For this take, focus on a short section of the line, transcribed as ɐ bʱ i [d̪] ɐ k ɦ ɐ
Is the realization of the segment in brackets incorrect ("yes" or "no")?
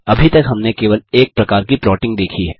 yes